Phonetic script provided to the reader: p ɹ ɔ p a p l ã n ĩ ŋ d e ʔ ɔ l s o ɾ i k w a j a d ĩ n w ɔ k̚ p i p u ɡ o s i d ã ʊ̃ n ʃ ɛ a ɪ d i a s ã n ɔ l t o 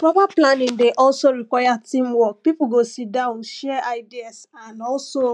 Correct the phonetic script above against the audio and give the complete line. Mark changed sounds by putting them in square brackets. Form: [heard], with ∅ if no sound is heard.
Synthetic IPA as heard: p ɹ ɔ p a p l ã n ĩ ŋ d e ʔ ɔ l s o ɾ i k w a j a [t] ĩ [m] w ɔ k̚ p i p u ɡ o s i d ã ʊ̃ n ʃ ɛ a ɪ d i a s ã n ɔ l [s] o